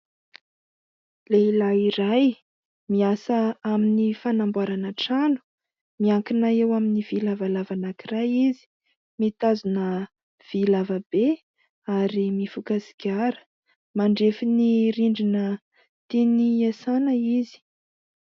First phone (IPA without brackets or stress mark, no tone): l